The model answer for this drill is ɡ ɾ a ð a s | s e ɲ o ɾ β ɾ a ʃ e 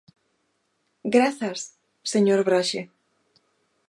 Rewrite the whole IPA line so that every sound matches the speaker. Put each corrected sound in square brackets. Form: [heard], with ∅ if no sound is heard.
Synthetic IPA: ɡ ɾ a [θ] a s | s e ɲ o ɾ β ɾ a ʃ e